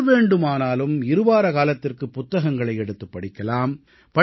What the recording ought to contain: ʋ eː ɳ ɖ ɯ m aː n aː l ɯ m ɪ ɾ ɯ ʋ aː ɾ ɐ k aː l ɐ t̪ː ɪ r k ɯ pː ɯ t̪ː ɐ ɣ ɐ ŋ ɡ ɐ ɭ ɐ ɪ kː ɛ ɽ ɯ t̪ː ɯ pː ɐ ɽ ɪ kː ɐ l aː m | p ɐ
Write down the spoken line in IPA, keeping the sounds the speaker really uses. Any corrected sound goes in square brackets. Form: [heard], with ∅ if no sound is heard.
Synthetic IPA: ʋ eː ɳ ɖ ɯ m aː n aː l ɯ m ɪ ɾ ɯ ʋ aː ɾ ɐ k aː l ɐ t̪ː ɪ r k ɯ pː [ʊ] t̪ː ɐ ɣ ɐ ŋ ɡ ɐ ɭ ɐ ɪ [∅] ɛ ɽ ɯ t̪ː ɯ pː ɐ ɽ ɪ kː ɐ l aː m | p ɐ

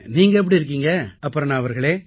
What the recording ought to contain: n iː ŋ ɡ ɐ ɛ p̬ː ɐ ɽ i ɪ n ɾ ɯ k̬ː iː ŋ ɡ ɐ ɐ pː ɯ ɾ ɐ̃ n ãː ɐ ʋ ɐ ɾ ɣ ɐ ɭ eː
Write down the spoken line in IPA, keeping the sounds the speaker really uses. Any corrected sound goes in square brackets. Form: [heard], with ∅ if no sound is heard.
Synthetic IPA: n iː ŋ ɡ ɐ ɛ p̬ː ɐ ɽ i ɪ [∅] ɾ ɯ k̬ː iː ŋ ɡ ɐ ɐ pː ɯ ɾ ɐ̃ n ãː ɐ ʋ ɐ ɾ ɣ ɐ ɭ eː

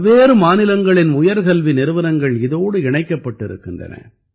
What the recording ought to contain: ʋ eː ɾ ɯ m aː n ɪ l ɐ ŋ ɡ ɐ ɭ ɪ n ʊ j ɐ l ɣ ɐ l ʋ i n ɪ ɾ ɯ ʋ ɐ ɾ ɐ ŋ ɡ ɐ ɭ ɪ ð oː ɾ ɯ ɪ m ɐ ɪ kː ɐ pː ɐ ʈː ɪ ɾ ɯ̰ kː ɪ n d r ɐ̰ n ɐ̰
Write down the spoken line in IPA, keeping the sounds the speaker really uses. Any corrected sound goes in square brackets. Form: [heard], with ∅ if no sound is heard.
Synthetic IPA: ʋ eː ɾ ɯ m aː n ɪ l ɐ ŋ ɡ ɐ ɭ ɪ n ʊ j ɐ [ɾ] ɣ ɐ l ʋ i n ɪ ɾ ɯ ʋ ɐ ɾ ɐ ŋ ɡ ɐ ɭ ɪ ð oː [ɽ] ɯ ɪ [ɳ] ɐ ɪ kː ɐ pː ɐ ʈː ɪ ɾ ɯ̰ kː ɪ n d r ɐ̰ n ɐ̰

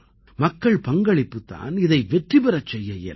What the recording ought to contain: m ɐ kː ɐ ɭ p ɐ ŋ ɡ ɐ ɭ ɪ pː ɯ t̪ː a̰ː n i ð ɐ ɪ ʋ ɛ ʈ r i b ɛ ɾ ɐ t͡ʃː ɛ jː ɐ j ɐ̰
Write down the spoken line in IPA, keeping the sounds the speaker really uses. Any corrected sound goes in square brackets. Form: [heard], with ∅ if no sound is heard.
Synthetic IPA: m ɐ kː ɐ ɭ p ɐ ŋ ɡ ɐ ɭ ɪ pː ɯ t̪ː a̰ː n [ɪ] ð ɐ ɪ ʋ ɛ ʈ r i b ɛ ɾ ɐ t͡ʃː ɛ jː ɐ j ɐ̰

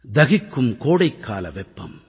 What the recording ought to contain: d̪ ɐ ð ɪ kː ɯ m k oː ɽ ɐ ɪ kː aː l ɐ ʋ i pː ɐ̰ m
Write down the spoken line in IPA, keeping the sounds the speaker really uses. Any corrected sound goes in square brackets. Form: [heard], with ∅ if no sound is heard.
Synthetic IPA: d̪ ɐ [ɣ] ɪ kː ɯ m k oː ɽ ɐ ɪ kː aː l ɐ ʋ [ɛ] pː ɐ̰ m

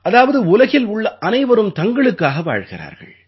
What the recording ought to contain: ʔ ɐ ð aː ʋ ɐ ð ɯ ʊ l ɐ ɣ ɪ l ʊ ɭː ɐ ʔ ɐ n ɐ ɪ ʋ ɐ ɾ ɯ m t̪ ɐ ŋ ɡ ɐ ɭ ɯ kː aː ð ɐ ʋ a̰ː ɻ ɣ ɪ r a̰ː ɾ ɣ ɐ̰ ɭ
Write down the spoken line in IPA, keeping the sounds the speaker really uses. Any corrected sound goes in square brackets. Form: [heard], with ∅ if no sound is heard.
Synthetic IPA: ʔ ɐ ð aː ʋ ɐ ð ɯ ʊ l ɐ ɣ ɪ l ʊ ɭː ɐ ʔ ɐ n ɐ ɪ ʋ ɐ ɾ ɯ m t̪ ɐ ŋ ɡ ɐ ɭ ɯ kː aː [ɣ] ɐ ʋ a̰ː ɻ ɣ ɪ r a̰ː ɾ ɣ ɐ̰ ɭ

